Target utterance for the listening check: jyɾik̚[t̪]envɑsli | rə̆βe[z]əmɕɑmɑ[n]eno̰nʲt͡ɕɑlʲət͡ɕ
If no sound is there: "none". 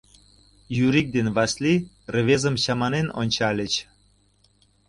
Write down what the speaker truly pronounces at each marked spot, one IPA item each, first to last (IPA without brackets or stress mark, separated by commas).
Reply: d̪, z, n